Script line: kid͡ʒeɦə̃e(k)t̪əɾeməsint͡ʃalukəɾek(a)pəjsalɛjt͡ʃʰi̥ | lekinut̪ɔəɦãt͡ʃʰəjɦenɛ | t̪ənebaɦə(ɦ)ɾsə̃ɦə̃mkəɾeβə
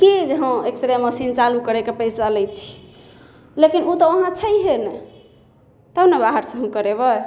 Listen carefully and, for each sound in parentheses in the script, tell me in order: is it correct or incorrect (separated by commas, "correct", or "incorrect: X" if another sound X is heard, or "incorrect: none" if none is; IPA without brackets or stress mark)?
correct, incorrect: e, incorrect: none